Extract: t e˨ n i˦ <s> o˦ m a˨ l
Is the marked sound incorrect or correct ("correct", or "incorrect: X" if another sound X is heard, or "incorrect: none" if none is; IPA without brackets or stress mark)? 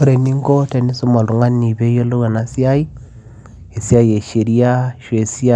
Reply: correct